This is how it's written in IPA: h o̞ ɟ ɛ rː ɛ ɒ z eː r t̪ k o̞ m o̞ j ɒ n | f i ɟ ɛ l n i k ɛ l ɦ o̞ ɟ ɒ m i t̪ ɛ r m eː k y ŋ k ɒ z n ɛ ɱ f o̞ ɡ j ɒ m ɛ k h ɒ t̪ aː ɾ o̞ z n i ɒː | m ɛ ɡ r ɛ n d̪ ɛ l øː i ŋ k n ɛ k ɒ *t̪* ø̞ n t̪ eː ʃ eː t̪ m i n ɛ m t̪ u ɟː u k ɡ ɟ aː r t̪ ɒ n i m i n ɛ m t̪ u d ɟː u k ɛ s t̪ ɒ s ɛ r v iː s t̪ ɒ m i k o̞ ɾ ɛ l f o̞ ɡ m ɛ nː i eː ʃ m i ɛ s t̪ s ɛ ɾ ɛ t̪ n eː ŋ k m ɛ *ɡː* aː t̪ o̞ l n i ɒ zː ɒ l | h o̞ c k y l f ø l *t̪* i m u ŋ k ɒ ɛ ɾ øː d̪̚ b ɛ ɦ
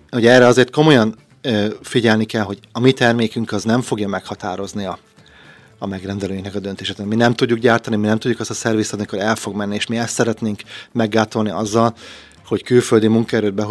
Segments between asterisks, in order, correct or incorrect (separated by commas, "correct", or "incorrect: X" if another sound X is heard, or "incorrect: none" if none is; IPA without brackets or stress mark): incorrect: d̪, correct, incorrect: d̪